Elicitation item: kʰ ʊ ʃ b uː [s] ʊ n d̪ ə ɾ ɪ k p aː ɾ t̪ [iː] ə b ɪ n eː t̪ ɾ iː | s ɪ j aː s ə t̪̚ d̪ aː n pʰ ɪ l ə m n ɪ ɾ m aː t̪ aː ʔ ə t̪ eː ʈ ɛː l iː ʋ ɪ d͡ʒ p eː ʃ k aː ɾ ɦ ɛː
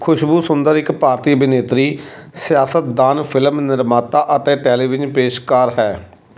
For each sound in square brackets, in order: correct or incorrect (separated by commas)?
correct, correct